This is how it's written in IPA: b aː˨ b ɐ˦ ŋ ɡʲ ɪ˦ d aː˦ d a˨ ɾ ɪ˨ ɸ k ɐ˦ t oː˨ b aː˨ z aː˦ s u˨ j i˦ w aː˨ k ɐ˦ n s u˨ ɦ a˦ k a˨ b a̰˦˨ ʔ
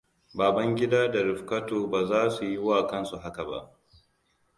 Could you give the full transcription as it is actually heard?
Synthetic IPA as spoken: b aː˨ b ɐ˦ ŋ ɡʲ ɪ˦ d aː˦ d a˨ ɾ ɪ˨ ɸ k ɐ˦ t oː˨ b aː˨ z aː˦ s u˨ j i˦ w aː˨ k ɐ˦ n s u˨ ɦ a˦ k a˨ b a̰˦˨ ʔ